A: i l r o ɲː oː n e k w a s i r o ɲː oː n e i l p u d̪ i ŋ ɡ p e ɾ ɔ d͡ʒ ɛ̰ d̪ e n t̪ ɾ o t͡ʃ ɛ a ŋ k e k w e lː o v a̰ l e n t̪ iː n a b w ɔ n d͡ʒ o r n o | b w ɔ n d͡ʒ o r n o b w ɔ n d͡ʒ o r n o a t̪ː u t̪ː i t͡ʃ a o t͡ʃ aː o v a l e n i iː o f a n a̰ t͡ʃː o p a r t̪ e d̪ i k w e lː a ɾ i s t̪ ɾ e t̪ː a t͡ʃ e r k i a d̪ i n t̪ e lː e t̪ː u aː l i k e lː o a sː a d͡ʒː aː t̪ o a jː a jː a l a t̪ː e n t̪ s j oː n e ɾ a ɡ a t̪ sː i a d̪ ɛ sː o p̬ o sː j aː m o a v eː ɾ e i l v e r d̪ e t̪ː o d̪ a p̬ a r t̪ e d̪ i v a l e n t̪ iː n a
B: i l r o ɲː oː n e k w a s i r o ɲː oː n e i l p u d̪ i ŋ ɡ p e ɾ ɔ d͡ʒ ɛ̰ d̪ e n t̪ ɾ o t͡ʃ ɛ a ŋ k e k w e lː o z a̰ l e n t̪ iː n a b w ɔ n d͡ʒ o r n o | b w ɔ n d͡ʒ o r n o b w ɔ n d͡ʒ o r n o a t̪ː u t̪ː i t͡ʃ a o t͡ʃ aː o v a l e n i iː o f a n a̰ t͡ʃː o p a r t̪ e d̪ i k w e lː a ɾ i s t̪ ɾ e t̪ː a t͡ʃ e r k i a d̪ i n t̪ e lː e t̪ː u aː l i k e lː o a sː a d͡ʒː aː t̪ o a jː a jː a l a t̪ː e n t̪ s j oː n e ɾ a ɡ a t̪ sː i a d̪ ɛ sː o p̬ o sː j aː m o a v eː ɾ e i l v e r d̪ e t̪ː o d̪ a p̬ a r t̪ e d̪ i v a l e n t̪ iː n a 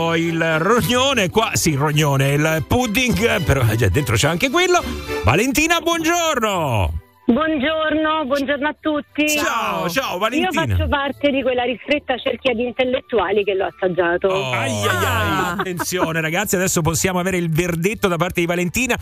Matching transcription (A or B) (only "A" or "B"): A